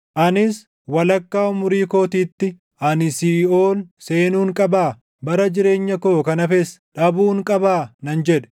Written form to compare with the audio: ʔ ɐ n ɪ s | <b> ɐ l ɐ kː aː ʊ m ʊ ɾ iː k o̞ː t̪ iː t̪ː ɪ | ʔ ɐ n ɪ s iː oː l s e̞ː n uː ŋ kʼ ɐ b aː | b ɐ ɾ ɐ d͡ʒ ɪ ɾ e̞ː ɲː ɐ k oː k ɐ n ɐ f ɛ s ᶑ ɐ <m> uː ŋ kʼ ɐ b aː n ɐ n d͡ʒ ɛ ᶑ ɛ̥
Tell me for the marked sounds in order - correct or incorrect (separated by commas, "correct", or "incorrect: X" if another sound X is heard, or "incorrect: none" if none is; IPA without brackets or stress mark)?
incorrect: w, incorrect: b